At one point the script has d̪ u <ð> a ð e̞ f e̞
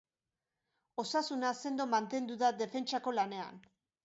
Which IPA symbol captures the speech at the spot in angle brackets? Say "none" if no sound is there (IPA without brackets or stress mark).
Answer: ð